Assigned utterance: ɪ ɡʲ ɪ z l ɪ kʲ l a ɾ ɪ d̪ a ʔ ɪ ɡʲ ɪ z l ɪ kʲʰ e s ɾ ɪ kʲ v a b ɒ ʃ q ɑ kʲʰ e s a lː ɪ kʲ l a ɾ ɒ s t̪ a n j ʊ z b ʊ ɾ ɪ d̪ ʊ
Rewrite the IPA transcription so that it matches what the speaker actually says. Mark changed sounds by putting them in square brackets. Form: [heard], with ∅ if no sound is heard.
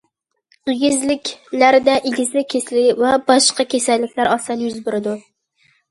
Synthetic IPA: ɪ ɡʲ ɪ z l ɪ kʲ l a ɾ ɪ d̪ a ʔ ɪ ɡʲ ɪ z l ɪ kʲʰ e s [l] ɪ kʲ v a b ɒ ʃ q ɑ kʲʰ e s a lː ɪ kʲ l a ɾ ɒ s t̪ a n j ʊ z b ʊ ɾ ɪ d̪ ʊ

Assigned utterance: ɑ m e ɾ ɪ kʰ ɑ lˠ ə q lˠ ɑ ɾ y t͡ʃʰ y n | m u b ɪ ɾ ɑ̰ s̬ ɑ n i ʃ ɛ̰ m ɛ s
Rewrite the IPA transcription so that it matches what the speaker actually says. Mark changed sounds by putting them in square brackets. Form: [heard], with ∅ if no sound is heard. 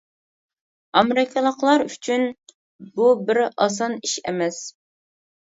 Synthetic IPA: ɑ m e ɾ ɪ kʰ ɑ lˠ ə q lˠ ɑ ɾ y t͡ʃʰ y n | [b] u b ɪ ɾ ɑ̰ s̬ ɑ n i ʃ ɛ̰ m ɛ s

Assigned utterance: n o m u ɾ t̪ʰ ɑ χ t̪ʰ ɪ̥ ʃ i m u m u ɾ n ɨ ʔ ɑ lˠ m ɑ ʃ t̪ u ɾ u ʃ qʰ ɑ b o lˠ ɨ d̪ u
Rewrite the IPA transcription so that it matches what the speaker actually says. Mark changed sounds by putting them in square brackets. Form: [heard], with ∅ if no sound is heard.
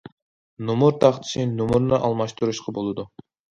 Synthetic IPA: n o m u ɾ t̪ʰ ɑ χ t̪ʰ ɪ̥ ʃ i [n] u m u ɾ n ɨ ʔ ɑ lˠ m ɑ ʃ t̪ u ɾ u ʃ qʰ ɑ b o lˠ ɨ d̪ u

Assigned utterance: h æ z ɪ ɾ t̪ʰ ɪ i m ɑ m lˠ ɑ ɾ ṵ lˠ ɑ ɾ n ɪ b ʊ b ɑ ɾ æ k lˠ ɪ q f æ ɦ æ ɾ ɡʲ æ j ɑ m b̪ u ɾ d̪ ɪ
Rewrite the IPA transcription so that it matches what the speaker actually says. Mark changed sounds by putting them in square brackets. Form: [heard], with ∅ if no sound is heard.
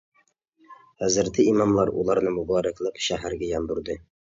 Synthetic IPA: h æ z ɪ ɾ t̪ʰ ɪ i m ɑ m lˠ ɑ ɾ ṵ lˠ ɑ ɾ n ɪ [m] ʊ b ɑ ɾ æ k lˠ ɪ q [ʃ] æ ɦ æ ɾ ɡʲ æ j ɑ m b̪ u ɾ d̪ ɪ

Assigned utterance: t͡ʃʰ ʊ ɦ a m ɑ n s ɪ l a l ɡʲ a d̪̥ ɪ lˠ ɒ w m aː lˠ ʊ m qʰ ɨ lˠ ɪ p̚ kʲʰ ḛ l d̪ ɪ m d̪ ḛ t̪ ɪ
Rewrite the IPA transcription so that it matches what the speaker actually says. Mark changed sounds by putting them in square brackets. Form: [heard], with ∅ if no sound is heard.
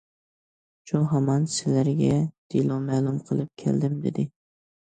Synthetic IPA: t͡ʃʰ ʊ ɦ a m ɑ n s ɪ l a [ɾ] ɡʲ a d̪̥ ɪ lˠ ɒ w m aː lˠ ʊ m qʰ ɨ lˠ ɪ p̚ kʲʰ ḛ l d̪ ɪ m d̪ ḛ [d̪] ɪ

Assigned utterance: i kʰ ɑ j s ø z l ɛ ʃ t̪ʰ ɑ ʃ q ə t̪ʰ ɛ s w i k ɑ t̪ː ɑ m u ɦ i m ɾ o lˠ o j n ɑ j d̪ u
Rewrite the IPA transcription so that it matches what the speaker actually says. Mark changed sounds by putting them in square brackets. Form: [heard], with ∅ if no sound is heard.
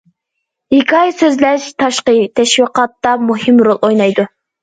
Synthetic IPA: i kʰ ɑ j s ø z l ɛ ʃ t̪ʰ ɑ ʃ q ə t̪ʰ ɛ [ʃ] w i [q] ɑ t̪ː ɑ m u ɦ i m ɾ o lˠ o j n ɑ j d̪ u

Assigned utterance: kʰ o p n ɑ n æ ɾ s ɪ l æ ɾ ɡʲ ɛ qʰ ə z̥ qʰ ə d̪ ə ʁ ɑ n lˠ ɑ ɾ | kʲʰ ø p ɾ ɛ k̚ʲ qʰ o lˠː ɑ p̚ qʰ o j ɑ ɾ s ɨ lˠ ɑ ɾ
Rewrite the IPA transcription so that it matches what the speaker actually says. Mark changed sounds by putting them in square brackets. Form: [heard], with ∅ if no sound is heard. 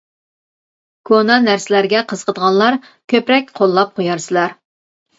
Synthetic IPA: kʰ o [∅] n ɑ n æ ɾ s ɪ l æ ɾ ɡʲ ɛ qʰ ə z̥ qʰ ə d̪ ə ʁ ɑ n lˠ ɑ ɾ | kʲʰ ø p ɾ ɛ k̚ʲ qʰ o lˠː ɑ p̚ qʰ o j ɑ ɾ s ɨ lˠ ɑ ɾ

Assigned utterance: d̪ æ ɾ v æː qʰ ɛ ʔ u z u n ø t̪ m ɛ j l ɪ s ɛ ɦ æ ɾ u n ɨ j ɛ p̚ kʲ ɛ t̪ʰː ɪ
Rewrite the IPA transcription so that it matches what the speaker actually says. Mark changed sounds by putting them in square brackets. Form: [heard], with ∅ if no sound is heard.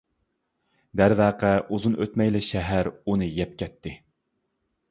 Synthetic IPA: d̪ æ ɾ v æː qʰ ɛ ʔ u z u n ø t̪ m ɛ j l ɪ [ʃ] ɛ ɦ æ ɾ u n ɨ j ɛ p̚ kʲ ɛ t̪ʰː ɪ

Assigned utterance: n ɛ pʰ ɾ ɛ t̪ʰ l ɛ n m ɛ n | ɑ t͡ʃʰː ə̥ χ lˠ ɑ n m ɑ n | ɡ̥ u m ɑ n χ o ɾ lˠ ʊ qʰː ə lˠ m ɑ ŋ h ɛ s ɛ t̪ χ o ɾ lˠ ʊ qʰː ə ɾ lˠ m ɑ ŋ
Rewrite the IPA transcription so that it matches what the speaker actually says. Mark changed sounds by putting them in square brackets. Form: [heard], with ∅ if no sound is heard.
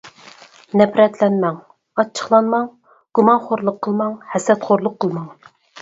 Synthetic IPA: n ɛ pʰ ɾ ɛ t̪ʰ l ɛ n m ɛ [ŋ] | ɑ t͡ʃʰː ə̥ χ lˠ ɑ n m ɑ [ŋ] | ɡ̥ u m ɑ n χ o ɾ lˠ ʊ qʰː ə lˠ m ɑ ŋ h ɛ s ɛ t̪ χ o ɾ lˠ ʊ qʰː ə [∅] lˠ m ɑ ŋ

